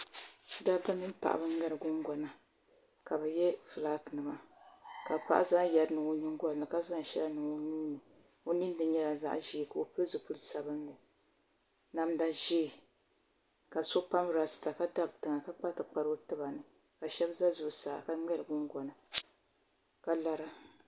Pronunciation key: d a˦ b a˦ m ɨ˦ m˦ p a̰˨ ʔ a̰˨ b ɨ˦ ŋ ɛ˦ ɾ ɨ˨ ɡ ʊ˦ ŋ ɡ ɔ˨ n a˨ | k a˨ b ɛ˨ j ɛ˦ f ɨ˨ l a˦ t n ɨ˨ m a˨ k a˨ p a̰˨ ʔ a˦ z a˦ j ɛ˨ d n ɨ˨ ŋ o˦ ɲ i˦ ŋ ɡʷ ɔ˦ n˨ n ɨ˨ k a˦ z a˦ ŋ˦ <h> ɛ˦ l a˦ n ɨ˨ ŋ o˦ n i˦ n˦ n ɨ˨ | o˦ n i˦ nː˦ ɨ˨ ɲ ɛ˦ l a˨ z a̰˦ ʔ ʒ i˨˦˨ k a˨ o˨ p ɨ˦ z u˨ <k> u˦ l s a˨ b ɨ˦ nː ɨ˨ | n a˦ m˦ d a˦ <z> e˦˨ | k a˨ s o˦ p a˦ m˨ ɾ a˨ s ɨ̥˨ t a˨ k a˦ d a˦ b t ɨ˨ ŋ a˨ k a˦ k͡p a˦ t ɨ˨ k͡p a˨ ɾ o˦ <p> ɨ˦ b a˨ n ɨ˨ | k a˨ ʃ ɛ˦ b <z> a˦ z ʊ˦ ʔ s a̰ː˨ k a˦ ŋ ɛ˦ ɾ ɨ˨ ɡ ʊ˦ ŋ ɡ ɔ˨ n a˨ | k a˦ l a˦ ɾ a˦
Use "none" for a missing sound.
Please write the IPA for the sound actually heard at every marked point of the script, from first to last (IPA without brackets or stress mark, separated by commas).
ʃ, p, ʒ, t, z